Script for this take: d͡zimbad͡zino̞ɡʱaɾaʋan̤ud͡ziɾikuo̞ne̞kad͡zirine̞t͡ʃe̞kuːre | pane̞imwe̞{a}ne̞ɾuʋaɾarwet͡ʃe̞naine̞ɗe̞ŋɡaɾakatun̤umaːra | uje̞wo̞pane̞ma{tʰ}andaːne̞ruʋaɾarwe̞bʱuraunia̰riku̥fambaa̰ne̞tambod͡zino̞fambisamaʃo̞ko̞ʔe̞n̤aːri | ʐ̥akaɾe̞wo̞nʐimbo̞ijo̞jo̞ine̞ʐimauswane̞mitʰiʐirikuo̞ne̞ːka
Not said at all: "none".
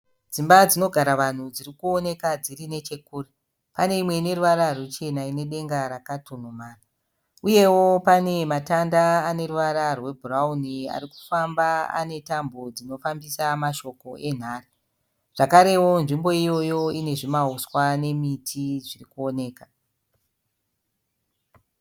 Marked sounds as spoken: i, t

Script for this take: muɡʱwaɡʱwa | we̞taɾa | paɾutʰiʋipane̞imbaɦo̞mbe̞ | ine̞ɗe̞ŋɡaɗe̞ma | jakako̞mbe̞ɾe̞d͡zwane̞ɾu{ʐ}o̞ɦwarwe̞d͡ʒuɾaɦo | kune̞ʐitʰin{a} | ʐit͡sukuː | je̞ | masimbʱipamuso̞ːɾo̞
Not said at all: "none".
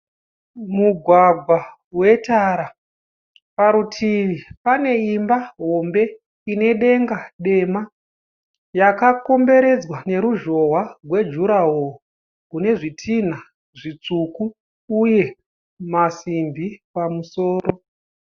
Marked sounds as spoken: ʒ, a

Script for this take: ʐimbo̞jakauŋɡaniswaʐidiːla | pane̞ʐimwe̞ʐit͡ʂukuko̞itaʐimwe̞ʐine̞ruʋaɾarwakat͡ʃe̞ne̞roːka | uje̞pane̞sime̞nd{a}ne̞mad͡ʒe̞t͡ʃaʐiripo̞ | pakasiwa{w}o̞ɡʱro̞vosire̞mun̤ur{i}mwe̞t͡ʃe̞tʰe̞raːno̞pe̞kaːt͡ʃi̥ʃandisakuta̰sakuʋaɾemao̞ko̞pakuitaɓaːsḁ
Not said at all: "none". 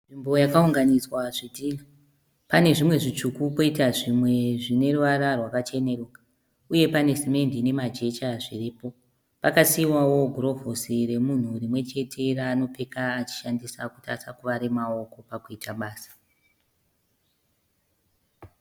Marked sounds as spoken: i, w, i

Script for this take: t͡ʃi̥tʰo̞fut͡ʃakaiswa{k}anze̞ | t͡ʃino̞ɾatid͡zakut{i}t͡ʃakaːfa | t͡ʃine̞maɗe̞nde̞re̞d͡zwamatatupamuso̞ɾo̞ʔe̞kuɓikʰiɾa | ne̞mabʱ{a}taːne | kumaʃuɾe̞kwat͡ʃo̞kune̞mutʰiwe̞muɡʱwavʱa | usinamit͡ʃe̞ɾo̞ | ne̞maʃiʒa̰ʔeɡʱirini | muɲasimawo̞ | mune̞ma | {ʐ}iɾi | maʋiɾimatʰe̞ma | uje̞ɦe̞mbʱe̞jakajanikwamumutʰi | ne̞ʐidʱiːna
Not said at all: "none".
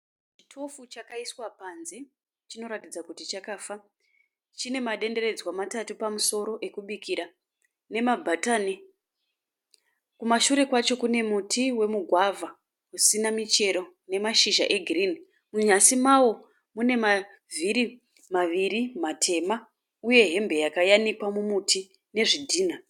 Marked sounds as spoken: p, i, a, v

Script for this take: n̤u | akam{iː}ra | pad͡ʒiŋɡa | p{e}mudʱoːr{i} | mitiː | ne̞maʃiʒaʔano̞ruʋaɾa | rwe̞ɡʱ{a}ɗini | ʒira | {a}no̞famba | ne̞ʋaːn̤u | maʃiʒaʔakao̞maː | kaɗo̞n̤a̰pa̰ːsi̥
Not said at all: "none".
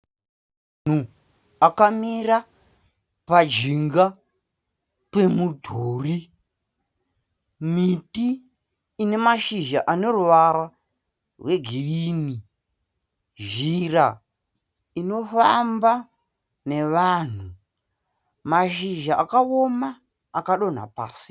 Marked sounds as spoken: i, e, i, i, i

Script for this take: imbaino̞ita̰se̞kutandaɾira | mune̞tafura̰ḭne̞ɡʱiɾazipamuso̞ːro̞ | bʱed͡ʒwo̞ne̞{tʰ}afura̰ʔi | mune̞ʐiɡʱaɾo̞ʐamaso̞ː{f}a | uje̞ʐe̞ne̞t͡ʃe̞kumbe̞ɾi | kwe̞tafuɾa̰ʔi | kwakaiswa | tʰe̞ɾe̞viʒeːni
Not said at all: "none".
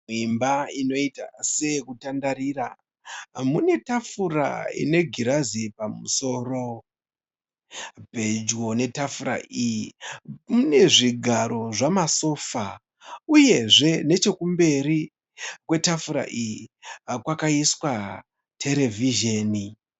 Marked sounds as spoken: t, f

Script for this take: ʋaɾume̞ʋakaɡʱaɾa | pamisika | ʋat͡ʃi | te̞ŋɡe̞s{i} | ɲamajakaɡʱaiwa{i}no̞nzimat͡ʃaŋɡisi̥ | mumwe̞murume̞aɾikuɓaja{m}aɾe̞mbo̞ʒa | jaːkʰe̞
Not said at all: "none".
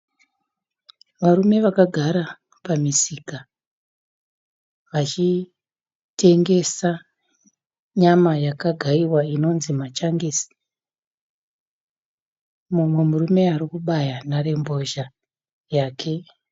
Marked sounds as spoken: a, i, n

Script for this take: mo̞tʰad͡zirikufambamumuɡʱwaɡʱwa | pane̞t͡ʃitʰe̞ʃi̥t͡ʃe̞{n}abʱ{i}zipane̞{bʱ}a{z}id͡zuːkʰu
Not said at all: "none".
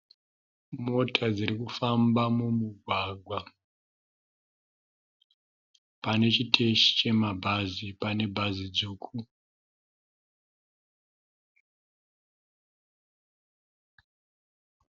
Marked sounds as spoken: m, a, bʱ, z

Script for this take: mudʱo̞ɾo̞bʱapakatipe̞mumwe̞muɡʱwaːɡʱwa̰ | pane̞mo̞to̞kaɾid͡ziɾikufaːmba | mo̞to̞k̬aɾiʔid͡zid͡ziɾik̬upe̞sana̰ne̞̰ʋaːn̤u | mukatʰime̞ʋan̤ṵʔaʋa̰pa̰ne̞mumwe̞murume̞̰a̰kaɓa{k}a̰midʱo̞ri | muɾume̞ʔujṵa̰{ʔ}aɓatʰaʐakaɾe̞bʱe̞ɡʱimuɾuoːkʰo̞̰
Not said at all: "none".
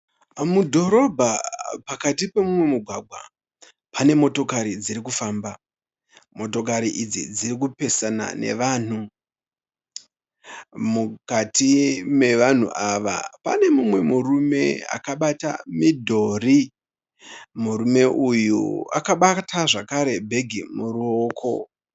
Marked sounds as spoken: t, k

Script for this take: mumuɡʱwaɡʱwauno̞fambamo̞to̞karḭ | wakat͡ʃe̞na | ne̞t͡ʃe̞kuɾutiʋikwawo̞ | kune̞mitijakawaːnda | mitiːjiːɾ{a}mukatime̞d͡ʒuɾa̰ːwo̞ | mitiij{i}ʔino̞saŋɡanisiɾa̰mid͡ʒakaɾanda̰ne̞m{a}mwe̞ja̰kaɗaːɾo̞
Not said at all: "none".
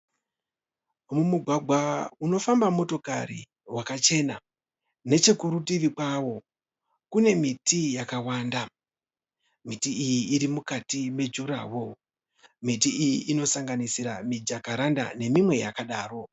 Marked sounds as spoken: i, i, i

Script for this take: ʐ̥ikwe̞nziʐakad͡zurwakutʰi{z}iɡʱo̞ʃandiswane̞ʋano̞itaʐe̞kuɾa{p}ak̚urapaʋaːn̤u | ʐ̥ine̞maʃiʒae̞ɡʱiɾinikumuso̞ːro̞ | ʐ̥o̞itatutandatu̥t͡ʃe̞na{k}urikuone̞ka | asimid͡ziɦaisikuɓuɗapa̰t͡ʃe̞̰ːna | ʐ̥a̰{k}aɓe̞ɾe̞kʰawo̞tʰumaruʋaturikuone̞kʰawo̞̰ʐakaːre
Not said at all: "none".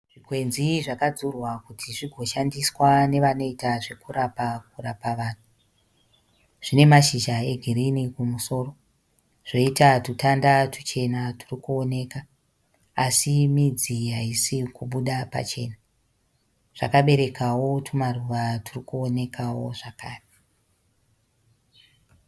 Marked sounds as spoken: ʐ, p, t, k

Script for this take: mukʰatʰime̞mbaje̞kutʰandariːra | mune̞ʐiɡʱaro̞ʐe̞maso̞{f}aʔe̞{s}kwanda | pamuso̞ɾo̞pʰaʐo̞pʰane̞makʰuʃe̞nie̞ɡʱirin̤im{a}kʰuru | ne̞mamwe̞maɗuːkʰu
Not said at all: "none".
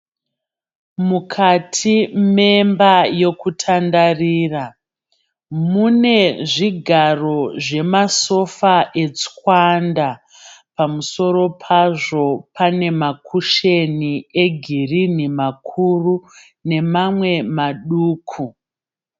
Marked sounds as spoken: f, t͡s, a

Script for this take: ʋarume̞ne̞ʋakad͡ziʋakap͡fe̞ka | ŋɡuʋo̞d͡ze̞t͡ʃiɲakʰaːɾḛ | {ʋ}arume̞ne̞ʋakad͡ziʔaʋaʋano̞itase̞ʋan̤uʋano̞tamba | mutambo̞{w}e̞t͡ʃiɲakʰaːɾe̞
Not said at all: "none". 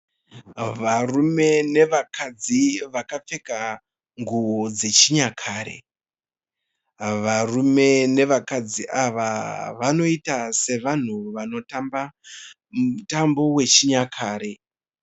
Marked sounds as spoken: ʋ, w

